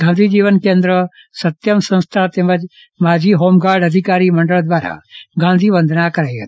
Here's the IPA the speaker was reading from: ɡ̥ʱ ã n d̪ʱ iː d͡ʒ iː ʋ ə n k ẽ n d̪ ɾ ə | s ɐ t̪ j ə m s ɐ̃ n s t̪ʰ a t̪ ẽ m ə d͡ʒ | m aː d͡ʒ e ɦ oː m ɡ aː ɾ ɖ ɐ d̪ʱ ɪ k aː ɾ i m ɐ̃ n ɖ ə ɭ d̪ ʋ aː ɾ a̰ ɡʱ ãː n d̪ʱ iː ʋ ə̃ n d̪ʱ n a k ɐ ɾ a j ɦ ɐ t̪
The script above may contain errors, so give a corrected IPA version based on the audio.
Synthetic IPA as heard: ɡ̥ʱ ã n d̪ʱ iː d͡ʒ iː ʋ ə n k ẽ n d̪ ɾ ə | s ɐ t̪ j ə m s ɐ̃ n s t̪ʰ a t̪ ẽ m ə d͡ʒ | m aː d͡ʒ i ɦ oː m ɡ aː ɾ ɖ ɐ d̪ʱ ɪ k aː ɾ i m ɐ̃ ɳ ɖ ə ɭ d̪ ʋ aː ɾ a̰ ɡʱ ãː n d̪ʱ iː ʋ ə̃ n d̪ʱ n a k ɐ ɾ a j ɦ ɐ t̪